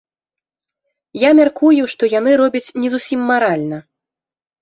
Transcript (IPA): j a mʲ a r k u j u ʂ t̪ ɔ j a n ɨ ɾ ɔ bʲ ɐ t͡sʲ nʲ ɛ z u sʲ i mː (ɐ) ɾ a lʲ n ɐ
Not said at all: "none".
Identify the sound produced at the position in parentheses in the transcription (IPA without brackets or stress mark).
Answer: a